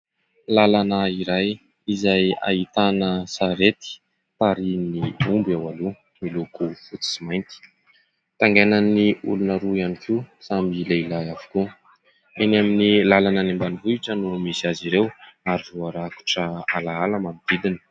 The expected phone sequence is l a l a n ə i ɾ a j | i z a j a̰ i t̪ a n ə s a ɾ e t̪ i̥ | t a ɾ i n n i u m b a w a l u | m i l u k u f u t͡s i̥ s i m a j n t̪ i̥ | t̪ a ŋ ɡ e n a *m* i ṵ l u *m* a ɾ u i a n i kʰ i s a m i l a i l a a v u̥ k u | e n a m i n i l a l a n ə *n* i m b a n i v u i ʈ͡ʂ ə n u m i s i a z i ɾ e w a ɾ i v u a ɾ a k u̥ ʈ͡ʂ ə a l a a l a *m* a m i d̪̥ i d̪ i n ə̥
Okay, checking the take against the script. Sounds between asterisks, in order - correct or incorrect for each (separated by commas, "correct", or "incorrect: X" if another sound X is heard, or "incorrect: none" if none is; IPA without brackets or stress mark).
incorrect: n, incorrect: n, correct, correct